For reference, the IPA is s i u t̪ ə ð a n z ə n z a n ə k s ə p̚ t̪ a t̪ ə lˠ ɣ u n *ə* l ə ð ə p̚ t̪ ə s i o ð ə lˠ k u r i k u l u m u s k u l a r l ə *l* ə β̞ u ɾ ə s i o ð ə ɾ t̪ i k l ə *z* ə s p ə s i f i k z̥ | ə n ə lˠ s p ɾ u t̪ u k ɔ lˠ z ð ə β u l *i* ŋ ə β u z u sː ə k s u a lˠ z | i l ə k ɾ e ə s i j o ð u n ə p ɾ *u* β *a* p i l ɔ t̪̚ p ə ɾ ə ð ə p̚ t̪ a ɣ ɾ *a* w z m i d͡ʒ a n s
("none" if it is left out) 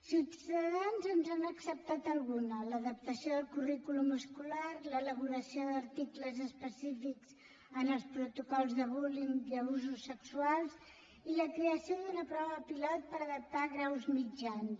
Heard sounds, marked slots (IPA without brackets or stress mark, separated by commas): ə, l, z, i, ɔ, ə, a